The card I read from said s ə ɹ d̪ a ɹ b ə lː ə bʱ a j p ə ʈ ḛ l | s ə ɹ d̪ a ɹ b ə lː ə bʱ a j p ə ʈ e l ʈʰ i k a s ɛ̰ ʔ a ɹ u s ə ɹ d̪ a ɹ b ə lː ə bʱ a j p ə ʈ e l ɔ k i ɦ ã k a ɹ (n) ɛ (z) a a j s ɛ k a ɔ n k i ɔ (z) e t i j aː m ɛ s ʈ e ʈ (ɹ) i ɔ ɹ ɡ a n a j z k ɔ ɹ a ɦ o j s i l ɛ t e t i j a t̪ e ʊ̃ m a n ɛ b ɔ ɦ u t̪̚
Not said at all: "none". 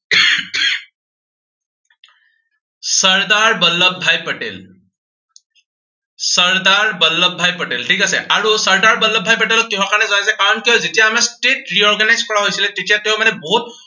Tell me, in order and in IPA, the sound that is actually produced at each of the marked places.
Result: n, z, z, ɹ

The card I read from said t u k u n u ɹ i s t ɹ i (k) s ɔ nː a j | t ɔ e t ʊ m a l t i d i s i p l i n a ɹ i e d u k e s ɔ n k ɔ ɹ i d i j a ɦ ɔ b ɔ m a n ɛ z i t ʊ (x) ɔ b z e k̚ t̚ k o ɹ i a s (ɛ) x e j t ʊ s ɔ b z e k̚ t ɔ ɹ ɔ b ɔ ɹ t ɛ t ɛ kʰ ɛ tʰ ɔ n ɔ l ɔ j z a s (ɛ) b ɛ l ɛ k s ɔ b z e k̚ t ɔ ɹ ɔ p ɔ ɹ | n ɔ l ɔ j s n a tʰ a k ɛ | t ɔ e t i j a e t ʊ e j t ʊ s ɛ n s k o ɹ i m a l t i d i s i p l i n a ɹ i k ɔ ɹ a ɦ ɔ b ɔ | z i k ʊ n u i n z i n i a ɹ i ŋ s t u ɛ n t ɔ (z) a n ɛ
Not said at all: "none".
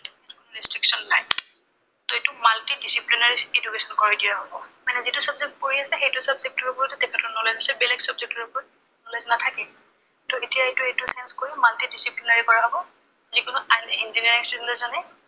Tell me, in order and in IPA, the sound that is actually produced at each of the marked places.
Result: k, s, ɛ, ɛ, z

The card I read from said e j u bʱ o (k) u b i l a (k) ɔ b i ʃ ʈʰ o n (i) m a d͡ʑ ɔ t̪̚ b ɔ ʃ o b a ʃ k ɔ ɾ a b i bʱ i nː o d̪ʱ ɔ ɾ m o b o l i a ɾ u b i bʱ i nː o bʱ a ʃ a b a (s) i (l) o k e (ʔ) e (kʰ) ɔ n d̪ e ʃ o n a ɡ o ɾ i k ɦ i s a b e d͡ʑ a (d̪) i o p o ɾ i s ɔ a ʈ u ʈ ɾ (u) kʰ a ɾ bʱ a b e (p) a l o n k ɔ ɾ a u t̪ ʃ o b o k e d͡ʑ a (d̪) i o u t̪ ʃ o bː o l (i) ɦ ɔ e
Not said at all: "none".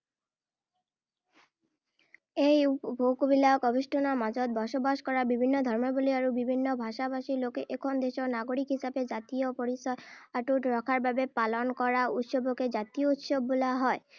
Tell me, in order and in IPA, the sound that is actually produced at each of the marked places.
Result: k, k, a, ʃ, l, ʔ, kʰ, t̪, ɔ, p, t̪, a

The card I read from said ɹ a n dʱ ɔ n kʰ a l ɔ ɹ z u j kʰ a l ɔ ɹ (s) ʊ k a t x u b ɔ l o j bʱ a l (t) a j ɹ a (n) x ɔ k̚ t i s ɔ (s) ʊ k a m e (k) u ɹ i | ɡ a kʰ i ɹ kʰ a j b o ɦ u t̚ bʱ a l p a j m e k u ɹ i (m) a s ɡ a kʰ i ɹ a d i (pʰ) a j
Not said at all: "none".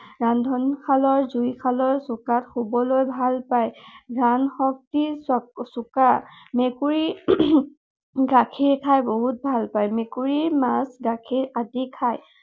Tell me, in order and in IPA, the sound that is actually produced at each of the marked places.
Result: s, p, n, s, k, m, kʰ

